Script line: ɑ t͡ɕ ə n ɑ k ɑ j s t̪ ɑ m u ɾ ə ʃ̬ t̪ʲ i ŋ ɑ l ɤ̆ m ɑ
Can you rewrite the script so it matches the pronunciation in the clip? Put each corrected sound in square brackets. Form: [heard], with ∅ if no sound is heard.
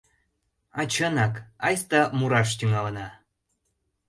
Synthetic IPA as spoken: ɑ t͡ɕ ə n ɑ k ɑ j s t̪ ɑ m u ɾ [ɑ] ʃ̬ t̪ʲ [y] ŋ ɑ l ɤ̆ [n] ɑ